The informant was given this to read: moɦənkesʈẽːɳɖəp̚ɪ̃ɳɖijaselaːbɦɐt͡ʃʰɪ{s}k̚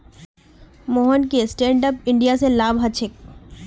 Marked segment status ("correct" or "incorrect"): incorrect